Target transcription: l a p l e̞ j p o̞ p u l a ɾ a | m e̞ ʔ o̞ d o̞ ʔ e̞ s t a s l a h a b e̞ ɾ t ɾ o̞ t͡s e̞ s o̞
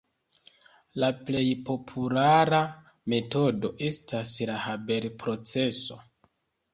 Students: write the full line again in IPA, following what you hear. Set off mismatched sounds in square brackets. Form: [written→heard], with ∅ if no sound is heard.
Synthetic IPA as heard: l a p l e̞ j p o̞ [p→pʰ] u l a ɾ a | m e̞ [ʔ→t] o̞ d o̞ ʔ e̞ s t a s l a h a b e̞ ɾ [t→p] ɾ o̞ t͡s e̞ s o̞